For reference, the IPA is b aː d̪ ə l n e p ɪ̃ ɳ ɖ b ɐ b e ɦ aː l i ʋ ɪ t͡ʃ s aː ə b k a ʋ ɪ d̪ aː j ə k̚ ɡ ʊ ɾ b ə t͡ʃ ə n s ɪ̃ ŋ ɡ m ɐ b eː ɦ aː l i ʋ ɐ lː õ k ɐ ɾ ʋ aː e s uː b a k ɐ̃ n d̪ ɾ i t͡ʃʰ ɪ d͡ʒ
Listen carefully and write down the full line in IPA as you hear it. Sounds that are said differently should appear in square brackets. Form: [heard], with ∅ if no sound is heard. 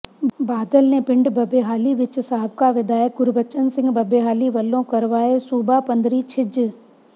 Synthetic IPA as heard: b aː d̪ ə l n e p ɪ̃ ɳ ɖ b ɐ b e ɦ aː l i ʋ ɪ t͡ʃ s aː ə b k a ʋ ɪ d̪ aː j ə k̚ ɡ ʊ ɾ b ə t͡ʃ ə n s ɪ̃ ŋ ɡ [b] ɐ b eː ɦ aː l i ʋ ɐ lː õ k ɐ ɾ ʋ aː e s uː b a [p] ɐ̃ n d̪ ɾ i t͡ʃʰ ɪ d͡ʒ